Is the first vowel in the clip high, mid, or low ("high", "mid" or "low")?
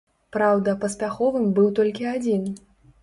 low